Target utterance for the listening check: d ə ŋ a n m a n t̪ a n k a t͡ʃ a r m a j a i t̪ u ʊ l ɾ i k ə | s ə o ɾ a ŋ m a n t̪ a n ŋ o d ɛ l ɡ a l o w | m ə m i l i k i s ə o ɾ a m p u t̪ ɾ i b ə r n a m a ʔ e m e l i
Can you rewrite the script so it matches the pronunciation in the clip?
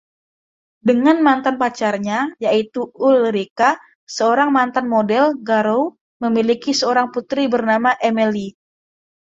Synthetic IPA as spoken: d ə ŋ a n m a n t̪ a n p a t͡ʃ a r ɲ a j a i t̪ u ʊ l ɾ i k a | s ə o ɾ a ŋ m a n t̪ a n m o d ɛ l ɡ a ɾ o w | m ə m i l i k i s ə o ɾ a ŋ p u t̪ ɾ i b ə r n a m a ʔ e m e l i